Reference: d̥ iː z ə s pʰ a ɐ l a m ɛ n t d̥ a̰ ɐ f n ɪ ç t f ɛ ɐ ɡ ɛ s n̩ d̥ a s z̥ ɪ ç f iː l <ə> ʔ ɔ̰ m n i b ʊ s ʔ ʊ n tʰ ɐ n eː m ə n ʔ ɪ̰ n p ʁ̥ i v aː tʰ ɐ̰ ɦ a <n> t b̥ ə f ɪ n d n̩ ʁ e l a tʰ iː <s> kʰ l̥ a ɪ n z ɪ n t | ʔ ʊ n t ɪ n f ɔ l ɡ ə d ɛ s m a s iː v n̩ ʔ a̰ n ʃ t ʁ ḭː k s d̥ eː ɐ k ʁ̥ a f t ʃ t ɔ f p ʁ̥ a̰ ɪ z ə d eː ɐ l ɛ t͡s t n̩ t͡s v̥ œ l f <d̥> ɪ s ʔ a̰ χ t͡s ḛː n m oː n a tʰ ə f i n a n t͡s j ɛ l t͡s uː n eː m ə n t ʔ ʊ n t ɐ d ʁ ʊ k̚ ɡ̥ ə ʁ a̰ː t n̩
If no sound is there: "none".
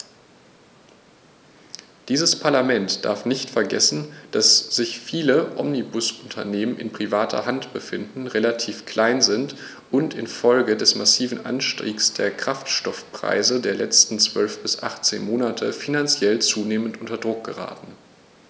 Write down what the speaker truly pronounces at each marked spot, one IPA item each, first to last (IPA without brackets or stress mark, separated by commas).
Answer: ə, n, f, b̥